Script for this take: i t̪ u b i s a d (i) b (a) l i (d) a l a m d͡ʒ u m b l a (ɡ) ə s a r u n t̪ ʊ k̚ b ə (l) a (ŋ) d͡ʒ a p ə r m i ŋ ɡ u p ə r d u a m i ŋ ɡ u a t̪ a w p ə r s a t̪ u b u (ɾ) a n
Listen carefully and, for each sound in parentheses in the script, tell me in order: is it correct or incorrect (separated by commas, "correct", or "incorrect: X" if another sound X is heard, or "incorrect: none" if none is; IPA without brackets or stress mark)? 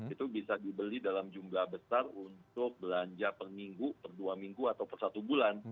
correct, incorrect: ə, correct, incorrect: b, correct, incorrect: ɲ, incorrect: l